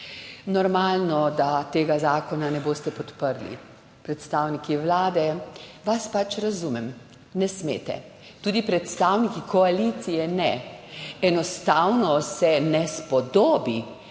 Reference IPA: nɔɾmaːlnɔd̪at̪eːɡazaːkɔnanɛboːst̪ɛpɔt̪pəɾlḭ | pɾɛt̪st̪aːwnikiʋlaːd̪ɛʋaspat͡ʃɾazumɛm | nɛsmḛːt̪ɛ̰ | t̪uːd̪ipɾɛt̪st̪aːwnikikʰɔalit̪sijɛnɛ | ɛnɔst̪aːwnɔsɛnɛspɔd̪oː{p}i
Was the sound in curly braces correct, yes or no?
no